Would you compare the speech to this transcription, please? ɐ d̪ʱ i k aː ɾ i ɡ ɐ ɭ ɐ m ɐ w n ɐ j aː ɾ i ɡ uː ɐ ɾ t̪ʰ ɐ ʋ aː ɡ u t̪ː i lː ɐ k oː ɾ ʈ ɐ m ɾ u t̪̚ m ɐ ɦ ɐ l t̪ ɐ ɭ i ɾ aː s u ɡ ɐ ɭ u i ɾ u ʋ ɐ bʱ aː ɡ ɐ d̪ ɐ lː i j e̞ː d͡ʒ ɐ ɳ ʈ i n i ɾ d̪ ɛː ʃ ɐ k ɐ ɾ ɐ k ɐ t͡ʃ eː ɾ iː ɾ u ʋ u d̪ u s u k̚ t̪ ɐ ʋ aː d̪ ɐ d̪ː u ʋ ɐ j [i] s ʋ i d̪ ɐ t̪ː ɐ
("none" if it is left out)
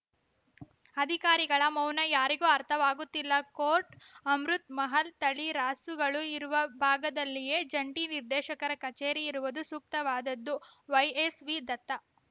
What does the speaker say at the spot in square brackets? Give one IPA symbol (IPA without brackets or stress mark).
e